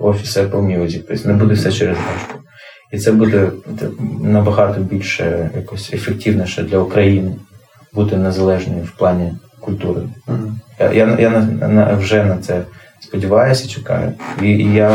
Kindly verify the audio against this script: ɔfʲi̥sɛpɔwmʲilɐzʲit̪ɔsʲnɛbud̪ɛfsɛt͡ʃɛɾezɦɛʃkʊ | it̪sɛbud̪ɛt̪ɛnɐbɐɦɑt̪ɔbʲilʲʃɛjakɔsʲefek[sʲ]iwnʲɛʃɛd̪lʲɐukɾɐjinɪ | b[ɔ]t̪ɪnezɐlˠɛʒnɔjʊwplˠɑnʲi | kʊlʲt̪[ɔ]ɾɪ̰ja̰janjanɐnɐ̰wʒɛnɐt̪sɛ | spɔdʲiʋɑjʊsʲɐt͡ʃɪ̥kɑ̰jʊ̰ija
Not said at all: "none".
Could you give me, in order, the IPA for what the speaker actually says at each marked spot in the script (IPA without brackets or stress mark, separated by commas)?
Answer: tʲ, u, u